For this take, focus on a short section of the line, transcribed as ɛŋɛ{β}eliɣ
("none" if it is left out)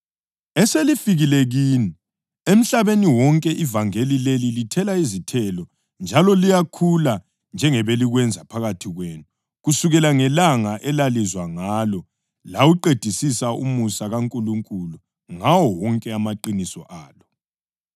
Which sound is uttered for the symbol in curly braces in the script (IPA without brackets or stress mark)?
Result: β